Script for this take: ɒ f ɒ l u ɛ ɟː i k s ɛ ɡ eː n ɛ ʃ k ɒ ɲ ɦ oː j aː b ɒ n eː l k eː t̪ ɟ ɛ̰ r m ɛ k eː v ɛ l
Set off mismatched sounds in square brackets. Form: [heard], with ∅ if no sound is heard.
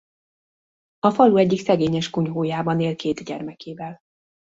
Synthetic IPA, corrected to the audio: ɒ f ɒ l u ɛ ɟː i k s ɛ ɡ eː [ɲ] ɛ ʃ k [u] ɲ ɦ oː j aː b ɒ n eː l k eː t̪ ɟ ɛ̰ r m ɛ k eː v ɛ l